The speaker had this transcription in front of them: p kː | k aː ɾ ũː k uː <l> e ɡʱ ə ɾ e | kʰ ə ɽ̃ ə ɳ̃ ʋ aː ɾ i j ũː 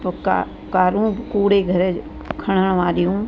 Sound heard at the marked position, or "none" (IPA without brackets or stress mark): ɽ